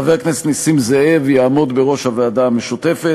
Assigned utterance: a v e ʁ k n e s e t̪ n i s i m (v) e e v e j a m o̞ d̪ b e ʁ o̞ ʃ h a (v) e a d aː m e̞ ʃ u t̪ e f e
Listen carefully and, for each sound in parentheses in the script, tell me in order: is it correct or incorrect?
incorrect: z, correct

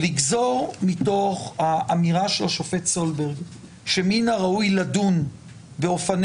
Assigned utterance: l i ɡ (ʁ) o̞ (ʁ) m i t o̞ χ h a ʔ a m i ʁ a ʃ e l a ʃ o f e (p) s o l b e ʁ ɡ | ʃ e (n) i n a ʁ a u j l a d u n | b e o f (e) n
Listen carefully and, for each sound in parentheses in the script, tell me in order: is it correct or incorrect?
incorrect: z, correct, incorrect: t, incorrect: m, incorrect: a

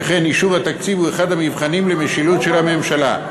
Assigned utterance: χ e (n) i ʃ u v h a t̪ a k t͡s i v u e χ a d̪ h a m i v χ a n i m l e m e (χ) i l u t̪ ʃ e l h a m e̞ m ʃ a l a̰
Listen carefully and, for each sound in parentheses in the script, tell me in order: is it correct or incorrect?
correct, incorrect: ʃ

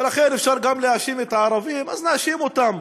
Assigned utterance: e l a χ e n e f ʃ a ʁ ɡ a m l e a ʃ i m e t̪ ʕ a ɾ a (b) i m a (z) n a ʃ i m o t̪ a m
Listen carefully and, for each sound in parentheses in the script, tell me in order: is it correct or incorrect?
incorrect: v, correct

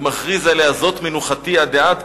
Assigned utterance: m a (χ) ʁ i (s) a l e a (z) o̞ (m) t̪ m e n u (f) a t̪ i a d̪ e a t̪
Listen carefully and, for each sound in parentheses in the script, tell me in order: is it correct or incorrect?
correct, incorrect: z, correct, incorrect: none, incorrect: χ

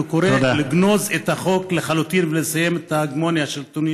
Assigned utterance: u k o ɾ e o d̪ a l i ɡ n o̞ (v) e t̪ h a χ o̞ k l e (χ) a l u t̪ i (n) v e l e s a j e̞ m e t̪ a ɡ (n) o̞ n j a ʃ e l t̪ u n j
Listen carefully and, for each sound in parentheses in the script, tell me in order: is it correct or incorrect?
incorrect: z, correct, correct, incorrect: m

